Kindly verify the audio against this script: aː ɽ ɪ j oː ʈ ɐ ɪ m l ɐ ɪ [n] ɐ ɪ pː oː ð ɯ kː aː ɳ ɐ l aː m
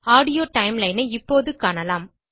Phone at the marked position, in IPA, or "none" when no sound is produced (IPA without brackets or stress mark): n